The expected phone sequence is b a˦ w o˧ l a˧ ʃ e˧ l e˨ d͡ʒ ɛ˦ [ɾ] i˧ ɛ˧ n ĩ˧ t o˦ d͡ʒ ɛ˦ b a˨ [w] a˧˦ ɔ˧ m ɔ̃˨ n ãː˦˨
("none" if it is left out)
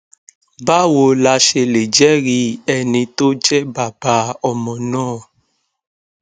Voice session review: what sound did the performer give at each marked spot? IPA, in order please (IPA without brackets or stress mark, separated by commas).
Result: ɾ, b